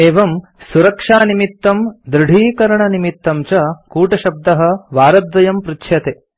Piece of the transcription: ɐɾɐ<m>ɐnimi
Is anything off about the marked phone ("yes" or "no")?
yes